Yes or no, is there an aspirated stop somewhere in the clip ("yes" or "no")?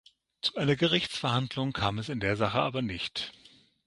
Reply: yes